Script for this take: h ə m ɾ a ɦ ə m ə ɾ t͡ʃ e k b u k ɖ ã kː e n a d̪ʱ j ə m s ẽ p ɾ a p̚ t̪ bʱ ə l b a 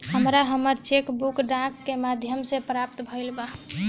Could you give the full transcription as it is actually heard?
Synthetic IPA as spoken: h ə m ɾ a ɦ ə m ə ɾ t͡ʃ e k b u k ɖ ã kː e m a d̪ʱ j ə m s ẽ p ɾ a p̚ t̪ bʱ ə l b a